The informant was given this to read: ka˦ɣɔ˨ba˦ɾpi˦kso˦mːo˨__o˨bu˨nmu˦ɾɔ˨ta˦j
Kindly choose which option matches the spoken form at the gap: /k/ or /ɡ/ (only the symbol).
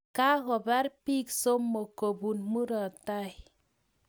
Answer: k